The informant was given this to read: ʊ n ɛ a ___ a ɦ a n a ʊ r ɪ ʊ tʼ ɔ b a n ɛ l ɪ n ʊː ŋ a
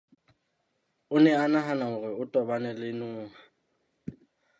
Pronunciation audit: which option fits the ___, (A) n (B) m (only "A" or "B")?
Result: A